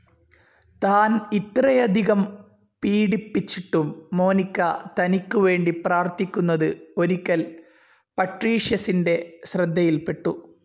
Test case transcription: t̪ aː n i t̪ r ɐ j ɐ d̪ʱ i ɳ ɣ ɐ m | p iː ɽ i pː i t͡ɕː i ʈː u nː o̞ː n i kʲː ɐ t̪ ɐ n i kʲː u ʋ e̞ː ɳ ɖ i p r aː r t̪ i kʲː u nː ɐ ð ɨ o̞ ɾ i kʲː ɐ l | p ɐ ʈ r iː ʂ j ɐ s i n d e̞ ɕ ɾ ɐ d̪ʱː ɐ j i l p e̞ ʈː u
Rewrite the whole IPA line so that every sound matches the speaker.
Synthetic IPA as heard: t̪ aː n i t̪ r ɐ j ɐ d̪ʱ i ɣ ɐ m | p iː ɽ i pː i t͡ɕː i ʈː u mː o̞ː n i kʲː ɐ t̪ ɐ n i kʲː u ʋ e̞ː ɳ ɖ i p r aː r t̪ i kʲː u nː ɐ ð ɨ o̞ ɾ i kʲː ɐ l | p ɐ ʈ r iː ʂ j ɐ s i n d e̞ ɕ r ɐ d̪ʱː ɐ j i l p e̞ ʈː u